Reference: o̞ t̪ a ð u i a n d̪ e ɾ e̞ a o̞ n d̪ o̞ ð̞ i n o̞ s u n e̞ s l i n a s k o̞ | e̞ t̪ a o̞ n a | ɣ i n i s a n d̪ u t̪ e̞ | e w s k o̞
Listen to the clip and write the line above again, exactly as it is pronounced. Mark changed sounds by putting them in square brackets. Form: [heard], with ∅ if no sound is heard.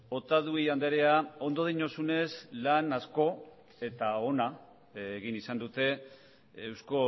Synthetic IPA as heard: o̞ t̪ a ð u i a n d̪ e ɾ e̞ a o̞ n d̪ o̞ ð̞ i [ɲ] o̞ s u n e̞ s l [a] n a s k o̞ | e̞ t̪ a o̞ n a | ɣ i n i s a n d̪ u t̪ e̞ | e w s k o̞